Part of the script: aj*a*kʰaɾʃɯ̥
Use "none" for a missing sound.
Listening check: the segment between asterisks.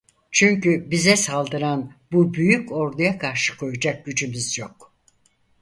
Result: a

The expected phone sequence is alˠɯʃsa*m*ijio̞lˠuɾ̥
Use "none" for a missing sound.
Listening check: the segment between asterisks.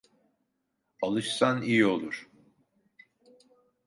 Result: n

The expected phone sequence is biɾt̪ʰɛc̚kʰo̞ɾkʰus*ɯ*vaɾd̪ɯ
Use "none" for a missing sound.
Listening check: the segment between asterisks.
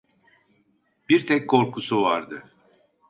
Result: u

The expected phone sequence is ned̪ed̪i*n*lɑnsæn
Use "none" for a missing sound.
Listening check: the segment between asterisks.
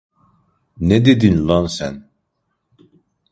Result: n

